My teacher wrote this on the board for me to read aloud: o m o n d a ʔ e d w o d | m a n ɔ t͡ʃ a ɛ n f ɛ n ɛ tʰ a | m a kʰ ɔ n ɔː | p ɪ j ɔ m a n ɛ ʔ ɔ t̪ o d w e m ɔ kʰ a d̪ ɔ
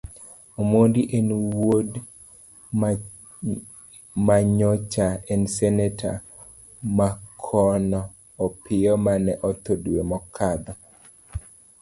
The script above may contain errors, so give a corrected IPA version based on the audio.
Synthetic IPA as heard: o m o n d i ʔ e n w o d | m a ɲ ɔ t͡ʃ a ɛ n s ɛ n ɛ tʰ a | m a kʰ ɔ n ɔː | p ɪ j ɔ m a n ɛ ʔ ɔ t̪ o d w e m ɔ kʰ a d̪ ɔ